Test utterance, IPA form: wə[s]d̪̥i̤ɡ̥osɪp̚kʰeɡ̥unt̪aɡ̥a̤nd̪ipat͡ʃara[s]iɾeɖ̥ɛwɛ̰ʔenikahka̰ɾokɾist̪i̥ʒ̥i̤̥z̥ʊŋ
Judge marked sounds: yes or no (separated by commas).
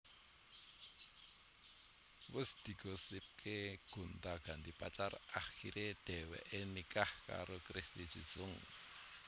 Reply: yes, no